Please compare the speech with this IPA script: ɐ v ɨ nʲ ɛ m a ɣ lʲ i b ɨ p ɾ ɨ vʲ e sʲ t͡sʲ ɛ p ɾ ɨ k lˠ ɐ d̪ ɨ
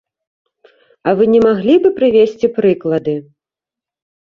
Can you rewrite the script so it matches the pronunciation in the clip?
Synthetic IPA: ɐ v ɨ nʲ ɛ m a ɣ lʲ i b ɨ p ɾ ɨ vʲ e sʲ t͡sʲ i p ɾ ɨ k lˠ ɐ d̪ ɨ